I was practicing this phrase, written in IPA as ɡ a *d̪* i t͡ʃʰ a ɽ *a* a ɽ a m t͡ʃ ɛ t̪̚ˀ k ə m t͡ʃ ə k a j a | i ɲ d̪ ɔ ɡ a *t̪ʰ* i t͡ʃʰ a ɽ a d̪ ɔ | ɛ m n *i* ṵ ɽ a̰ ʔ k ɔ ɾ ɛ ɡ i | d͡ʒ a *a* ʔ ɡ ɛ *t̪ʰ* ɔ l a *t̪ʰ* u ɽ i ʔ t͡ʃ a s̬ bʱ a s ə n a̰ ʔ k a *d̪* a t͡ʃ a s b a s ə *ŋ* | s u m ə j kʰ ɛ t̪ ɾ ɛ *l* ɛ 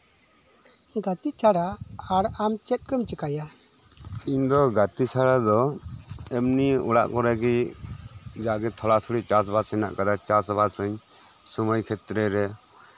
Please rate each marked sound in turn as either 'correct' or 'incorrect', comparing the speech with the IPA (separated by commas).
incorrect, correct, incorrect, correct, correct, correct, correct, correct, incorrect, incorrect